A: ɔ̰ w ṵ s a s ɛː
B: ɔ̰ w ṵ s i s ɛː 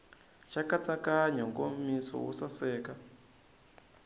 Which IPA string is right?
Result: A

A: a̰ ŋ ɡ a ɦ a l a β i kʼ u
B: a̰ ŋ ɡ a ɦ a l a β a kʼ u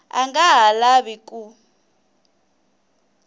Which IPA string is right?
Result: A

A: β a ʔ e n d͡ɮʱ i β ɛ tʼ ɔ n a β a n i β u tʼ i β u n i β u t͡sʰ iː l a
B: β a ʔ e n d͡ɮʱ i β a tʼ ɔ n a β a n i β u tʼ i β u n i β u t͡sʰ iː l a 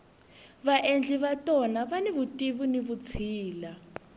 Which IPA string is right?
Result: B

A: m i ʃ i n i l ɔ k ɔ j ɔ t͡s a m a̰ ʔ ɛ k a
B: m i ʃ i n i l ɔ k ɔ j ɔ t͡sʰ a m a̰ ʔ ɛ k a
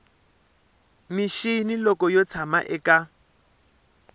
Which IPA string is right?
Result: B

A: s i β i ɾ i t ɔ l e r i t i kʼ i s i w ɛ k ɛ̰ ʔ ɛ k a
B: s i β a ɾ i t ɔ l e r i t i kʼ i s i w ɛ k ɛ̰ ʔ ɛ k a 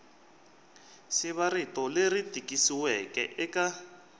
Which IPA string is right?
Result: B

